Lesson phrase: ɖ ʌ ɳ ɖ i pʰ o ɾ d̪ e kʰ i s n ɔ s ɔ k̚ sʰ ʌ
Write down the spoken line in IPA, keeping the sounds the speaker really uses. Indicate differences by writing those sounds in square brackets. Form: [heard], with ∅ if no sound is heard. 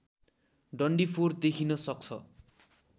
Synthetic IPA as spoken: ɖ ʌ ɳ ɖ i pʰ o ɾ d̪ e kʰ i [∅] n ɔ s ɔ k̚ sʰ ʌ